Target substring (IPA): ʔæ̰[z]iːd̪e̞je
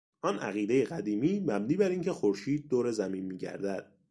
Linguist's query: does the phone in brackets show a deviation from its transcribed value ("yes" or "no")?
yes